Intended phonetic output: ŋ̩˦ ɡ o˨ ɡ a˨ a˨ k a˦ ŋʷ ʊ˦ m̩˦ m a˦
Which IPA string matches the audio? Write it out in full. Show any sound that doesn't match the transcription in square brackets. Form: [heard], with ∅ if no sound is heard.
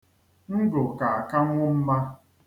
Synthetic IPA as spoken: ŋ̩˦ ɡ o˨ [k] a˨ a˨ k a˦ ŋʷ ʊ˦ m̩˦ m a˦

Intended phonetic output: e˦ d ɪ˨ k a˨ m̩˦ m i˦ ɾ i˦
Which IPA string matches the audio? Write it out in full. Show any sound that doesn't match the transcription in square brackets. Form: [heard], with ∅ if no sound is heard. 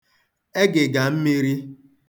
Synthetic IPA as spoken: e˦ [ɡ] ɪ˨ [ɡ] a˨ m̩˦ m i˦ ɾ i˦

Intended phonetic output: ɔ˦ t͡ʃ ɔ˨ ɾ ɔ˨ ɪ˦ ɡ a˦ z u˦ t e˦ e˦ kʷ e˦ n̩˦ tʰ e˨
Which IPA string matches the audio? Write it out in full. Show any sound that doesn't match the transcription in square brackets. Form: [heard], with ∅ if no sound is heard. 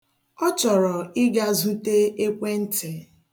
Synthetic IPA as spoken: ɔ˦ t͡ʃ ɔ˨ ɾ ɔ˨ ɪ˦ ɡ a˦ z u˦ t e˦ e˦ kʷ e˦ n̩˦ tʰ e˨

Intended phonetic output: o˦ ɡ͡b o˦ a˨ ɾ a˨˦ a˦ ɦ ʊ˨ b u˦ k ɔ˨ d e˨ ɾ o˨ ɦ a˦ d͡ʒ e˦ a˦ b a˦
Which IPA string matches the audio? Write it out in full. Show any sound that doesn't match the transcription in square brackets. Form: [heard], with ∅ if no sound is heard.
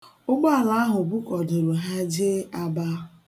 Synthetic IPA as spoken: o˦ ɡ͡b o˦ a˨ [l] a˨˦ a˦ ɦ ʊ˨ b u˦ k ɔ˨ d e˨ ɾ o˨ ɦ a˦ d͡ʒ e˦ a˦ b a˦

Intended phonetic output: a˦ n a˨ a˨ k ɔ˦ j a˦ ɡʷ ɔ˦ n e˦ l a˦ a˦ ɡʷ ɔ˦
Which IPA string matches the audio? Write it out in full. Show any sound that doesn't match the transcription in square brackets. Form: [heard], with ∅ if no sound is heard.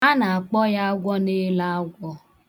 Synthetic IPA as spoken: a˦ n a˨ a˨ [k͡p] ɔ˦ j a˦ ɡʷ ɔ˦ n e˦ l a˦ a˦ ɡʷ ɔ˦

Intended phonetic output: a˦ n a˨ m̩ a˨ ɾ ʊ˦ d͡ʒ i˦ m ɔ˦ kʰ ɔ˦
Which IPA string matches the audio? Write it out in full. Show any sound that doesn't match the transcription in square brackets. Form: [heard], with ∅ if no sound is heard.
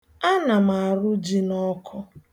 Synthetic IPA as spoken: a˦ n a˨ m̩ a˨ ɾ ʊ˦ d͡ʒ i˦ [n] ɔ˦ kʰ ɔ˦

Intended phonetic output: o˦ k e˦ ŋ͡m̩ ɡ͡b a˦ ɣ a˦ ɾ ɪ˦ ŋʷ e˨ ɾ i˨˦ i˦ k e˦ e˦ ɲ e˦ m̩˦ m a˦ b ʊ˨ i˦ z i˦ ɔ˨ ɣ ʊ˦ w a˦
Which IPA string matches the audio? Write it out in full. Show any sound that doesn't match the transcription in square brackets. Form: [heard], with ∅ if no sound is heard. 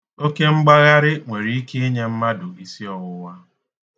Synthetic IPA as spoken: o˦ k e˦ ŋ͡m̩ ɡ͡b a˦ ɣ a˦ ɾ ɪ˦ ŋʷ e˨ ɾ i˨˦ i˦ k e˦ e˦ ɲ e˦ m̩˦ m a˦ [d] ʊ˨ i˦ [s] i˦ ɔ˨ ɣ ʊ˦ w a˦

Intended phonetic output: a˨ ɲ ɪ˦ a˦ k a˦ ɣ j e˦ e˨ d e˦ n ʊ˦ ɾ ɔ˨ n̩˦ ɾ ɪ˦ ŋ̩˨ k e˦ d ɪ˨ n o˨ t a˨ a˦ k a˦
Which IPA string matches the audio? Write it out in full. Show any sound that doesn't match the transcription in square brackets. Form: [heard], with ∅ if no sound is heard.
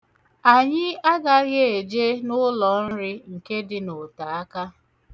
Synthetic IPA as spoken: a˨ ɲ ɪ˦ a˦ [ɡ] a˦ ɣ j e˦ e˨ [d͡ʒ] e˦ n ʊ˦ [l] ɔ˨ n̩˦ ɾ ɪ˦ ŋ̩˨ k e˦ d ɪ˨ n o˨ t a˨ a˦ k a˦

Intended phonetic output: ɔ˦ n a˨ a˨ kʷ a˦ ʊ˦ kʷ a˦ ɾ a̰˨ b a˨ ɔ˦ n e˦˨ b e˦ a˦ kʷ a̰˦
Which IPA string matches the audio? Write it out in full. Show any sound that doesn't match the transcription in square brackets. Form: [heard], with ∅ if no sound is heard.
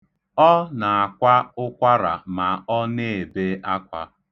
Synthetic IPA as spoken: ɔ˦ n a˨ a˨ kʷ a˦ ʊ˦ kʷ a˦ ɾ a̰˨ [m] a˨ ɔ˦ n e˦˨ b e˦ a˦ kʷ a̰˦

